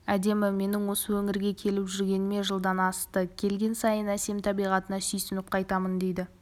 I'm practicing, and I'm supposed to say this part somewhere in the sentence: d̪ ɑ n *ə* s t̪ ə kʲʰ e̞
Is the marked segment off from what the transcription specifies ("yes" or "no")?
yes